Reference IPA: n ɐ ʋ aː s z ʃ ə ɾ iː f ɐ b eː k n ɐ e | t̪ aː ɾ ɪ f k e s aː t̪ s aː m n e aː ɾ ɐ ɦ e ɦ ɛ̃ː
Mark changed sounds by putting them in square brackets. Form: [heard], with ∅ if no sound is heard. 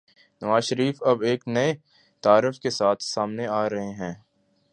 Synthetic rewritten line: n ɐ ʋ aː [∅] z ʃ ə ɾ iː f ɐ b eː k n ɐ e | t̪ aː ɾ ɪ f k e s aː [t̪ʰ] s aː m n e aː ɾ ɐ ɦ e ɦ ɛ̃ː